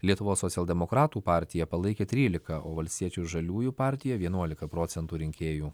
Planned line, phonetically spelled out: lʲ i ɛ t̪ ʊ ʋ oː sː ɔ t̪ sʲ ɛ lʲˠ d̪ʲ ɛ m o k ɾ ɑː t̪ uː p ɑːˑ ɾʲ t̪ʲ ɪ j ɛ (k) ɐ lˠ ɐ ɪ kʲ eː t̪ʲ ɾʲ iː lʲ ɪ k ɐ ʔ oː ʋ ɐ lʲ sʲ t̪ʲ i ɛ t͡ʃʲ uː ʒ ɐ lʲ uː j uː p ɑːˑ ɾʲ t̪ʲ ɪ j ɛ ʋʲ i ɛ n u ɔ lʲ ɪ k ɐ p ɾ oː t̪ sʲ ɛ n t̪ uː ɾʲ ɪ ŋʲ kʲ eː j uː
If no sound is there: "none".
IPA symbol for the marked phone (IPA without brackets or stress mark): p